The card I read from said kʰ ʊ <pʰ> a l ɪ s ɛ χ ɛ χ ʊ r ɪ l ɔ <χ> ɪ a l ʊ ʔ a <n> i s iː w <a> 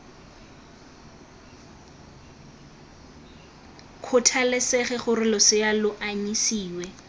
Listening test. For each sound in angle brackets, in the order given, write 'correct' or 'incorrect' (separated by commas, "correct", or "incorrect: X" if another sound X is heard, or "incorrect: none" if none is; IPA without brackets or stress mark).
incorrect: tʰ, incorrect: s, incorrect: ɲ, incorrect: ɛ